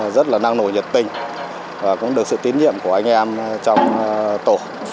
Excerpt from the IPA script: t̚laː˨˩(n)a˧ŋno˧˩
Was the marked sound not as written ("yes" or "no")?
no